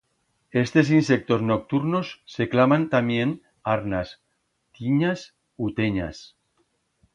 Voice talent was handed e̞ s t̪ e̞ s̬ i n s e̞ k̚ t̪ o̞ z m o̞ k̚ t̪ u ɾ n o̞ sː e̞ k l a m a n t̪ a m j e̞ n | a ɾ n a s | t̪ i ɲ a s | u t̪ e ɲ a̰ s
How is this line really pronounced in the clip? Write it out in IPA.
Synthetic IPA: e̞ s t̪ e̞ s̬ i n s e̞ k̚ t̪ o̞ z n o̞ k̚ t̪ u ɾ n o̞ sː e̞ k l a m a n t̪ a m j e̞ n | a ɾ n a s | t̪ i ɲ a s | u t̪ e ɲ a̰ s